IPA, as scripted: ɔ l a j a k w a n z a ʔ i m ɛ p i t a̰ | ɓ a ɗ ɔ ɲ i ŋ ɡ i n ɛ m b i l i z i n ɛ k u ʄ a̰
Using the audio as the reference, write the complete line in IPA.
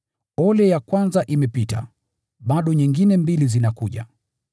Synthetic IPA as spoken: ɔ l ɛ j a k w a n z a ʔ i m ɛ p i t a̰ | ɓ a ɗ ɔ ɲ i ŋ ɡ i n ɛ m b i l i z i n a k u ʄ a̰